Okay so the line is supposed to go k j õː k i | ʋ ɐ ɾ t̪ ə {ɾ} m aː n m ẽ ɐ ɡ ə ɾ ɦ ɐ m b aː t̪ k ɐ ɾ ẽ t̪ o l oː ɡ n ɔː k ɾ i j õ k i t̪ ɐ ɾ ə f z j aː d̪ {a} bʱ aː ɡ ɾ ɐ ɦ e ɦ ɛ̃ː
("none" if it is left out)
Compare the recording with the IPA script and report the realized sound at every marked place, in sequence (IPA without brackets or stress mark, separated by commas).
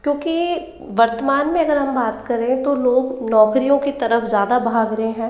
none, a